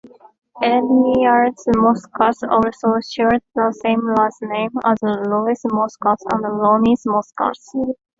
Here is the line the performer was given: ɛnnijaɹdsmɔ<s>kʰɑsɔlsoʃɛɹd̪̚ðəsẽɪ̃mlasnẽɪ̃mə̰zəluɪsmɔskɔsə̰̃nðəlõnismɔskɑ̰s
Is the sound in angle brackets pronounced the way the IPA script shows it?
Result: yes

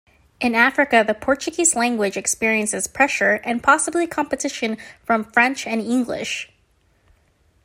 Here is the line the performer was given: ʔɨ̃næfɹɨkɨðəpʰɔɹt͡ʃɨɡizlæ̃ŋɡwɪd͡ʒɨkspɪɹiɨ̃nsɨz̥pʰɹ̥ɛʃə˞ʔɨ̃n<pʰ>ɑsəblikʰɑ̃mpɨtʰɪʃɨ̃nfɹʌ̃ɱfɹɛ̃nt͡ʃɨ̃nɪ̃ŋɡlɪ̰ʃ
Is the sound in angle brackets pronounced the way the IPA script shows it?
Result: yes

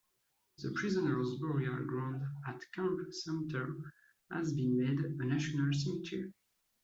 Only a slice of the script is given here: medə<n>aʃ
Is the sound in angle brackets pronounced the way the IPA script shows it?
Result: yes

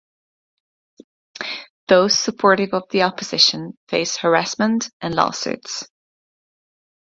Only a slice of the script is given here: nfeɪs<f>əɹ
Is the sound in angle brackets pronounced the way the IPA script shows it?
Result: no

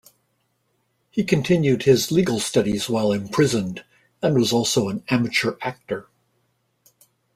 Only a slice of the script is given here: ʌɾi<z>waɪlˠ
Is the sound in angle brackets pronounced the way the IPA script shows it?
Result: yes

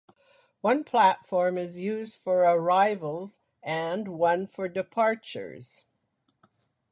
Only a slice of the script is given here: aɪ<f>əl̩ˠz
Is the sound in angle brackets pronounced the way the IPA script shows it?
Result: no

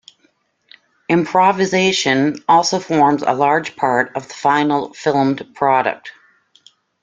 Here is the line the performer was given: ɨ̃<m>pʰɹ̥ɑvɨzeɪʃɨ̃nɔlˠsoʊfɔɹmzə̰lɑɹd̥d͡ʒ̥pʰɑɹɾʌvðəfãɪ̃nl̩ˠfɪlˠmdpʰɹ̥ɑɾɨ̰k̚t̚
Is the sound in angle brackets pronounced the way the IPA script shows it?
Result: yes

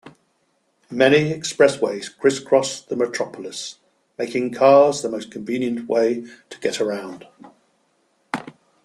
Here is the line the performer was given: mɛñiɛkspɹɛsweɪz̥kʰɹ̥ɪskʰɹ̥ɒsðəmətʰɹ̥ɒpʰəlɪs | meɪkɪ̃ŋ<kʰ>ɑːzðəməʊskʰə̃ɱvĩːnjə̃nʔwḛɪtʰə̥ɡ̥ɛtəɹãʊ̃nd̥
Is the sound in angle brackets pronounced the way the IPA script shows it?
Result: yes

